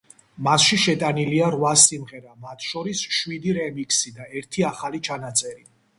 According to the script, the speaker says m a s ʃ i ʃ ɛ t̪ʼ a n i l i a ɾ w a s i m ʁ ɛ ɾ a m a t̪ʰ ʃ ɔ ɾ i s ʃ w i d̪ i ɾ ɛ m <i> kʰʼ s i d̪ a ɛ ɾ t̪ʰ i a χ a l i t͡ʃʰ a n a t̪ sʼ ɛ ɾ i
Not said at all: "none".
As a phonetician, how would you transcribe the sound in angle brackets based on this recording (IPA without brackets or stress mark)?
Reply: i